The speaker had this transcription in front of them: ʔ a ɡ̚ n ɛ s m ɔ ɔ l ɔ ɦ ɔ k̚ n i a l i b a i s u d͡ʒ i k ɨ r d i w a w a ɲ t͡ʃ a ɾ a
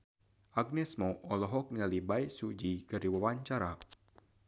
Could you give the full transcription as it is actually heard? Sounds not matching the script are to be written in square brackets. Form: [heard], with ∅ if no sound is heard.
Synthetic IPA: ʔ a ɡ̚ n ɛ s m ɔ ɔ l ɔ ɦ ɔ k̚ n i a l i b a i s u d͡ʒ i k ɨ r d i w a w a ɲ t͡ʃ a ɾ a

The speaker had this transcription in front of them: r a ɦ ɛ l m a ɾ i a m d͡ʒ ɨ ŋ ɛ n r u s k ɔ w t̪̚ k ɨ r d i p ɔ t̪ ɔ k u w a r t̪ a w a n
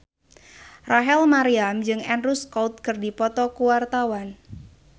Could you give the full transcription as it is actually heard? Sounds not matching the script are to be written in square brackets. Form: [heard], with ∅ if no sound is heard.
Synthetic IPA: r a ɦ ɛ l m a ɾ i a m d͡ʒ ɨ ŋ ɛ n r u s k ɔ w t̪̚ k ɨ r d i p ɔ t̪ ɔ k u w a r t̪ a w a n

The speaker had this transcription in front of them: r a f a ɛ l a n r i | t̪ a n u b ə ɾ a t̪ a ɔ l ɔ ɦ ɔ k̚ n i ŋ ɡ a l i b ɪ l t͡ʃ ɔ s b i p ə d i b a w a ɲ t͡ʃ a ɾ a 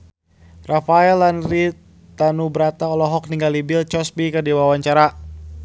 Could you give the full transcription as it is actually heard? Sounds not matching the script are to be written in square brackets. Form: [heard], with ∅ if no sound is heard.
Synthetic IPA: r a f a ɛ l a n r i | t̪ a n u b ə ɾ a t̪ a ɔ l ɔ ɦ ɔ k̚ n i ŋ ɡ a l i b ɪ l t͡ʃ ɔ s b i [k] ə d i [w] a w a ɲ t͡ʃ a ɾ a

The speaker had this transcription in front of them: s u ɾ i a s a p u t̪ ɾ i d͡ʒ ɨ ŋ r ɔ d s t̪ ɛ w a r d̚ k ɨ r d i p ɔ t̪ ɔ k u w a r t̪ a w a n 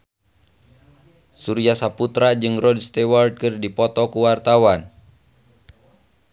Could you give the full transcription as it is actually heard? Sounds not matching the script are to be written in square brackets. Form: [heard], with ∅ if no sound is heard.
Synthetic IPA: s u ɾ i a s a p u t̪ ɾ [a] d͡ʒ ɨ ŋ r ɔ d s t̪ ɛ w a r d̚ k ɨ r d i p ɔ t̪ ɔ k u w a r t̪ a w a n

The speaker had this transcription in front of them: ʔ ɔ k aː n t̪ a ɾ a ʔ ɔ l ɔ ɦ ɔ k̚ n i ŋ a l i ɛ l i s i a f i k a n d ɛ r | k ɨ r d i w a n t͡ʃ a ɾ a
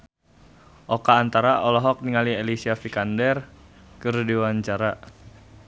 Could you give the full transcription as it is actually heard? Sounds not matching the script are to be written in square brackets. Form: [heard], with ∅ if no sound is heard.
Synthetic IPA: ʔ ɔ k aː n t̪ a ɾ a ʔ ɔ l ɔ ɦ ɔ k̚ n i ŋ a l i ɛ l i s i a f i k a n d ɛ r | k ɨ r d i w a [ɲ] t͡ʃ a ɾ a

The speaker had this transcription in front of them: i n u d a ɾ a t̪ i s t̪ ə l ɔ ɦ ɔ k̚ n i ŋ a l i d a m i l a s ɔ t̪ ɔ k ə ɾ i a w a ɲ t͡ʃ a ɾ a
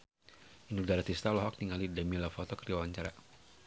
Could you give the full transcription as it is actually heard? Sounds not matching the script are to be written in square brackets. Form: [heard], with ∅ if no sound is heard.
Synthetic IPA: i n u d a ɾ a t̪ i s t̪ [a] l ɔ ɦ ɔ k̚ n i ŋ a l i d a m i l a [f] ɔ t̪ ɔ k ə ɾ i a w a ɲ t͡ʃ a ɾ a

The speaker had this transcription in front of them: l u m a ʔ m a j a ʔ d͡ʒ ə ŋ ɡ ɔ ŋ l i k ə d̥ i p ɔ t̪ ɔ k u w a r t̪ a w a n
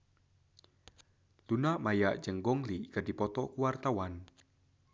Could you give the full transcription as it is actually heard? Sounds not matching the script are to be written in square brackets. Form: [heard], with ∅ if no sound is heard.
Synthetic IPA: l u [n] a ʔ m a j a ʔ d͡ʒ ə ŋ ɡ ɔ ŋ l i k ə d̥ i p ɔ t̪ ɔ k u w a r t̪ a w a n

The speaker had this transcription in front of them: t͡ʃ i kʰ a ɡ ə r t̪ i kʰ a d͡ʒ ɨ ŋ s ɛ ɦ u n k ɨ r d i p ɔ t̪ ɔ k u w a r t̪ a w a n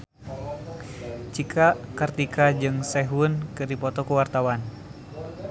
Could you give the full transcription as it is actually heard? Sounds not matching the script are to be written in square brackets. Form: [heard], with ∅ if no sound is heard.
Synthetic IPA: t͡ʃ i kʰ a [k] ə r t̪ i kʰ a d͡ʒ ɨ ŋ s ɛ ɦ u n k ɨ r d i p ɔ t̪ ɔ k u w a r t̪ a w a n

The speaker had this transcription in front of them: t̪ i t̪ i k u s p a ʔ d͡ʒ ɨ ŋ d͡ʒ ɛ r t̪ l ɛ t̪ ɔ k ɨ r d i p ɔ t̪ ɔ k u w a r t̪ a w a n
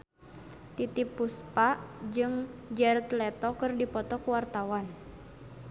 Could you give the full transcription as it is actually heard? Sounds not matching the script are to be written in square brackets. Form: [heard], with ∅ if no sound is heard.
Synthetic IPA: t̪ i t̪ i [p] u s p a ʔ d͡ʒ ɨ ŋ d͡ʒ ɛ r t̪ l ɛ t̪ ɔ k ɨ r d i p ɔ t̪ ɔ k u w a r t̪ a w a n

